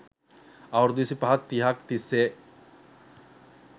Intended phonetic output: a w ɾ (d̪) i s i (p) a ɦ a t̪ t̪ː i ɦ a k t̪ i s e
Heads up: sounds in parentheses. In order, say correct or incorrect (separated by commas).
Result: correct, correct